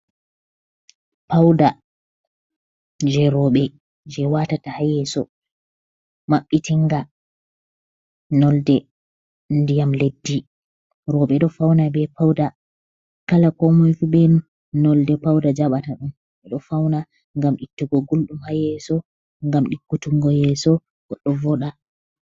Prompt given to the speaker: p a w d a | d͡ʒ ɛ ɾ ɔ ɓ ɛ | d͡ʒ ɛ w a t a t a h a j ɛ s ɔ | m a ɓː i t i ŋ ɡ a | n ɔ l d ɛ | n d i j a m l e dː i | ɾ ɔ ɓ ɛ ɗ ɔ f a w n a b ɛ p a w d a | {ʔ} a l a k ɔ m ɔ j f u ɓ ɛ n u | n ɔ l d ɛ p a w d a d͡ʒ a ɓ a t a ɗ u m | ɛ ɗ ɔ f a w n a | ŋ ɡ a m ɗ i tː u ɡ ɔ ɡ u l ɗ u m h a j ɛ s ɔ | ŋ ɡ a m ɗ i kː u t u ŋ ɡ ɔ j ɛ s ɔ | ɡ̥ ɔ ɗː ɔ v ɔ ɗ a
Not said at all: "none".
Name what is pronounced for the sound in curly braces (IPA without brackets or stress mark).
k